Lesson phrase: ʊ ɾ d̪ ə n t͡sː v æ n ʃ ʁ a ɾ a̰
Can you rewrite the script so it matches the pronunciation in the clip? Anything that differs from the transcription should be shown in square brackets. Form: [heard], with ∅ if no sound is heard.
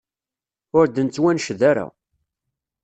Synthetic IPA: ʊ ɾ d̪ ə n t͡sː [w] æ n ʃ [ð] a ɾ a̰